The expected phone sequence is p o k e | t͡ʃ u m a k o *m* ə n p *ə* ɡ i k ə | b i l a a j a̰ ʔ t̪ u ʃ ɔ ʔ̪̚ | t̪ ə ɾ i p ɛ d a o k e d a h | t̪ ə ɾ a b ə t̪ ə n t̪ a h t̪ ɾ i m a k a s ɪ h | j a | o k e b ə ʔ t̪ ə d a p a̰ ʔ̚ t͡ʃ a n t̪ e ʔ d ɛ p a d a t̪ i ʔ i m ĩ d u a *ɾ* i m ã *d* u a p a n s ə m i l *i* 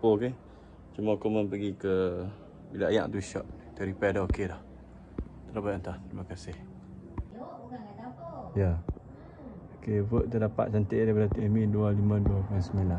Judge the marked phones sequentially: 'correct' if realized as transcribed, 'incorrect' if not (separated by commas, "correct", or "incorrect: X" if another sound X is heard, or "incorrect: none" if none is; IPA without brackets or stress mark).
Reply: correct, correct, incorrect: l, correct, incorrect: a